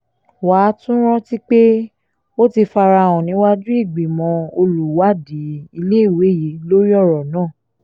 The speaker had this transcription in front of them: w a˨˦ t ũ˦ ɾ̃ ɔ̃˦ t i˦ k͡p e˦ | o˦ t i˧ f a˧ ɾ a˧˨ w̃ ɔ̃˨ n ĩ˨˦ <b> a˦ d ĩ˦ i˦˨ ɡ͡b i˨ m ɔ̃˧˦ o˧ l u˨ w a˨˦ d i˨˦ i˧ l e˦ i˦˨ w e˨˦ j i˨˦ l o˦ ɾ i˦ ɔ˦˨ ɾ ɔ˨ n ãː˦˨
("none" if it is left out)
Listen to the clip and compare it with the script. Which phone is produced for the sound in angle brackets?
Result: w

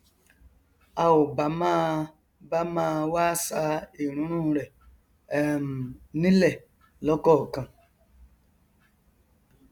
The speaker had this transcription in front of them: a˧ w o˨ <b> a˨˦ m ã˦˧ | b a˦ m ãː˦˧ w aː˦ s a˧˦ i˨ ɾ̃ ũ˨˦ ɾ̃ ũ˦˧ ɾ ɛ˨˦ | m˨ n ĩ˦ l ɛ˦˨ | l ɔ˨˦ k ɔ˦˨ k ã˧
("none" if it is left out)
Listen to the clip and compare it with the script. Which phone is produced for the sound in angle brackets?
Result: b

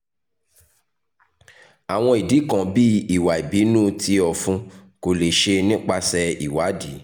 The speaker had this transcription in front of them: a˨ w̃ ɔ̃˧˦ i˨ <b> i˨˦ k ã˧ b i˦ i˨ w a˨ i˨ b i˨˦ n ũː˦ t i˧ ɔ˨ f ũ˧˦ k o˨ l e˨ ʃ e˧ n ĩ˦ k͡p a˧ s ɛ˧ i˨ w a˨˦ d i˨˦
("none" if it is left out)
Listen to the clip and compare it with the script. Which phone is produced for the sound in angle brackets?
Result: d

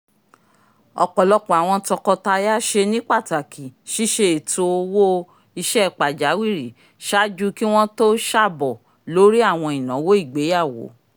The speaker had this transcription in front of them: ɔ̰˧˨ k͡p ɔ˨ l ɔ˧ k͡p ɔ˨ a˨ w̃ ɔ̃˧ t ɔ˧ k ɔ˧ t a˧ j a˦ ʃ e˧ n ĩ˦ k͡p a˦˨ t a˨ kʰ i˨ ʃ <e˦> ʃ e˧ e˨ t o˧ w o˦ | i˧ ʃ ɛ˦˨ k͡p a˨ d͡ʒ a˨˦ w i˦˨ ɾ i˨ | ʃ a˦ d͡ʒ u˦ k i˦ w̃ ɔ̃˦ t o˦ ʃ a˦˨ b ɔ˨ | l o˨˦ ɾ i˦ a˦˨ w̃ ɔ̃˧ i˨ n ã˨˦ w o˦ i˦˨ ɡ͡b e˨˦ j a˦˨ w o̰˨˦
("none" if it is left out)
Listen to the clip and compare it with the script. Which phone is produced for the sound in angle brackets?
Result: i˦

